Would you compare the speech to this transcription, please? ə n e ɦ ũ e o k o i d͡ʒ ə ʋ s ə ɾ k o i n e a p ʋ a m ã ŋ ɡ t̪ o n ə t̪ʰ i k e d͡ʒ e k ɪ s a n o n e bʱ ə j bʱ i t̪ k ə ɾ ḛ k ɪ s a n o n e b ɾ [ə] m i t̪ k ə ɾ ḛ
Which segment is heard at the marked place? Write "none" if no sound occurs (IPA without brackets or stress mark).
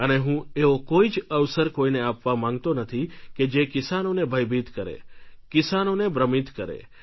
ə